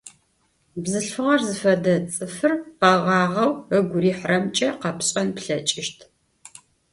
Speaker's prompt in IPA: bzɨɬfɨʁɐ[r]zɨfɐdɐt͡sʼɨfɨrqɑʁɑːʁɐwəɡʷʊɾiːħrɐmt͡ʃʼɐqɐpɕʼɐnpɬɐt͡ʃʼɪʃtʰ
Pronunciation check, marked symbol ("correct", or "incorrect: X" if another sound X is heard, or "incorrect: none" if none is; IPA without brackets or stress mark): correct